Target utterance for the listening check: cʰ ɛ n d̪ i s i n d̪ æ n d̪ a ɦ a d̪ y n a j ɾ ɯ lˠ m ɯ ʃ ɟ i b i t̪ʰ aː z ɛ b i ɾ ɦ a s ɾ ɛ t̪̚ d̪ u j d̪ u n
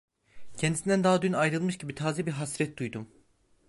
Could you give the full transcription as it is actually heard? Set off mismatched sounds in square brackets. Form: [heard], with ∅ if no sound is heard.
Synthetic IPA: cʰ ɛ n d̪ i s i n d̪ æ n d̪ a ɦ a d̪ y n a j ɾ ɯ lˠ m ɯ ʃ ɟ i b i t̪ʰ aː z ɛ b i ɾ ɦ a s ɾ ɛ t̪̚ d̪ u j d̪ u [m]